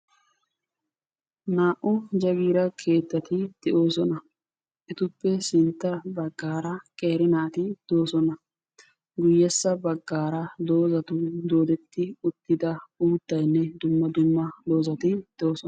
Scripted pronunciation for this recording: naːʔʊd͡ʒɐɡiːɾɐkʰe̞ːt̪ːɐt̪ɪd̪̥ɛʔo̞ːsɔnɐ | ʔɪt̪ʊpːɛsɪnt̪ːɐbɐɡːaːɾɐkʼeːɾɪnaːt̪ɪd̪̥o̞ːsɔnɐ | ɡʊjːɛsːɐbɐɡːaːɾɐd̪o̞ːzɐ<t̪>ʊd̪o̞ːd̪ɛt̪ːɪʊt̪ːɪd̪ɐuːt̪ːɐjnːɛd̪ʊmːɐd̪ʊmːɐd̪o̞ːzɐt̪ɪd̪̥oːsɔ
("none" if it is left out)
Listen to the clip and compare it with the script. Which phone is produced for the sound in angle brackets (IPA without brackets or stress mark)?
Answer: t̪